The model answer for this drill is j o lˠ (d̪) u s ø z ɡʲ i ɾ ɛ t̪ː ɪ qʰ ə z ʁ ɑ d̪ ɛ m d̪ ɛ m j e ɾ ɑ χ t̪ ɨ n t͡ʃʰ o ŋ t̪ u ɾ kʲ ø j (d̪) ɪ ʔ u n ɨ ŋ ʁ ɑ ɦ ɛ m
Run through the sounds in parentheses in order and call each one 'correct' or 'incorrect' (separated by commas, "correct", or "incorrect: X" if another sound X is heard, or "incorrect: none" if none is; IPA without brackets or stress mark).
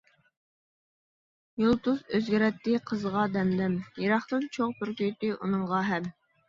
incorrect: t̪, incorrect: t̪